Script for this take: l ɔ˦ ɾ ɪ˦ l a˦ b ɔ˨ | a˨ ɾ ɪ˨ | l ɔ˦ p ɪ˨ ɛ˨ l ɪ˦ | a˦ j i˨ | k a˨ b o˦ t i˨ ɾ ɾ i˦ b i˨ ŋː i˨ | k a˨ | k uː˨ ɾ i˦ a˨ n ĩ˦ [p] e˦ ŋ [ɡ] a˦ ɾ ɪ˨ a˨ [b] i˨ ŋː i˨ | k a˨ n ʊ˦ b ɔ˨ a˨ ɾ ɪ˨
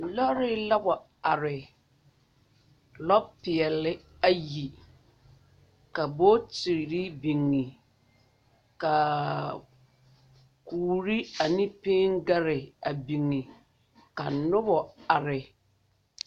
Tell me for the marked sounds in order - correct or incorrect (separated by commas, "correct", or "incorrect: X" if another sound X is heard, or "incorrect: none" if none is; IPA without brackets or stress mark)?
correct, correct, correct